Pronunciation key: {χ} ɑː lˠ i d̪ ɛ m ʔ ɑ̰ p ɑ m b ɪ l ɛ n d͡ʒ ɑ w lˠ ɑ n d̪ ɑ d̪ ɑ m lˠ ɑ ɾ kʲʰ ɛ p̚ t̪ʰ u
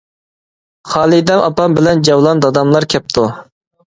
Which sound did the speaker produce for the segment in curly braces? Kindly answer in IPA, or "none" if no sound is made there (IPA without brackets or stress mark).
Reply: χ